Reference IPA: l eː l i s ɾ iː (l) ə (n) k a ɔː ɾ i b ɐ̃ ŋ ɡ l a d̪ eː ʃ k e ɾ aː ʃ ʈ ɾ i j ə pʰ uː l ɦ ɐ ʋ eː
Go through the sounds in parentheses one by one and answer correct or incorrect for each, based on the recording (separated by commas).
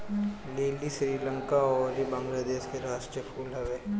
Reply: correct, incorrect